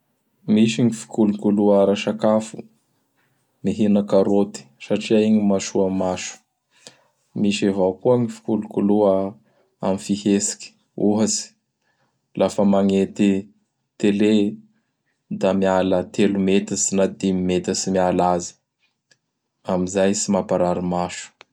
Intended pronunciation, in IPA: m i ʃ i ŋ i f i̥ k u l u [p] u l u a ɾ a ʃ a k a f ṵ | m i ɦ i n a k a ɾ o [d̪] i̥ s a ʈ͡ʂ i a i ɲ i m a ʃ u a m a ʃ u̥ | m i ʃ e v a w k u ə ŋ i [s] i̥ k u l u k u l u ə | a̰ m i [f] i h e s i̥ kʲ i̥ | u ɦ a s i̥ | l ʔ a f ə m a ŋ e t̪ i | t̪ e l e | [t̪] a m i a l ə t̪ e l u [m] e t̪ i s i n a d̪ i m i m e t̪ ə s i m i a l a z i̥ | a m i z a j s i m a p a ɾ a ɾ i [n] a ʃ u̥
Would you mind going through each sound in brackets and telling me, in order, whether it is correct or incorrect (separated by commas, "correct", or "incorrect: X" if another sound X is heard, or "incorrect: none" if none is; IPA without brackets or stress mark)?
incorrect: k, incorrect: t̪, incorrect: f, correct, incorrect: d̪, correct, incorrect: m